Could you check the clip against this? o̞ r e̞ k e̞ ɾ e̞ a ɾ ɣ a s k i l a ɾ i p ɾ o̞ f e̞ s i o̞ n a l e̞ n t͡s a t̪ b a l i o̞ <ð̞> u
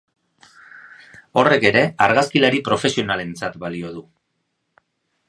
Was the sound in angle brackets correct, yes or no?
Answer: yes